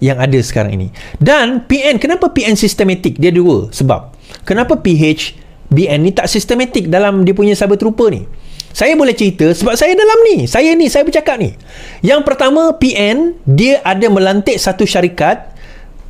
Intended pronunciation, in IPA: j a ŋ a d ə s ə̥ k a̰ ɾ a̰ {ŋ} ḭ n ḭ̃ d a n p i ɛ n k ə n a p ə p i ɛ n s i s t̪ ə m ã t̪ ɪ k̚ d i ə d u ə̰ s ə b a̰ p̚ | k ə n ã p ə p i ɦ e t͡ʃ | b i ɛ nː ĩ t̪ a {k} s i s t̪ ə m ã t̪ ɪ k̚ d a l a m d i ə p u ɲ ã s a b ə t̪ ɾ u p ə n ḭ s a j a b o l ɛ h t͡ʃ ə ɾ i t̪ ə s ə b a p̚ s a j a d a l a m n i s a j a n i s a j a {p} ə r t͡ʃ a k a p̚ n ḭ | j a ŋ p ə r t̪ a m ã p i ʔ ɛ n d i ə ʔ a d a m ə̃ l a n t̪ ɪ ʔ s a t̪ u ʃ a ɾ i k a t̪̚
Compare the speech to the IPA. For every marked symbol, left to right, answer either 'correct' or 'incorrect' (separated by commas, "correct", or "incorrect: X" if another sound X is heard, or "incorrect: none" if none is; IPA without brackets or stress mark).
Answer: correct, incorrect: ʔ, incorrect: b